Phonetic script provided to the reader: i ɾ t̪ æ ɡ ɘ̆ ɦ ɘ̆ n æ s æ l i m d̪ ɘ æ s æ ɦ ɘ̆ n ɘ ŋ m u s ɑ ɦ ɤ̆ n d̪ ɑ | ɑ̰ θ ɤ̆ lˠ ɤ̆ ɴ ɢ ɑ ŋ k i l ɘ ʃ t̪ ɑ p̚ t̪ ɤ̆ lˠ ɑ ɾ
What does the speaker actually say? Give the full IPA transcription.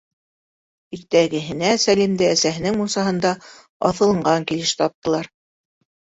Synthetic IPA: i ɾ t̪ æ ɡ ɘ̆ ɦ ɘ̆ n æ s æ l i m d̪ ɘ æ s æ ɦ ɘ̆ n ɘ ŋ m u s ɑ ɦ ɤ̆ n d̪ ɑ | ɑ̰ θ ɤ̆ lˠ ɤ̆ ɴ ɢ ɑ ŋ k i l ɘ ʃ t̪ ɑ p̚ t̪ ɤ̆ lˠ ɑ ɾ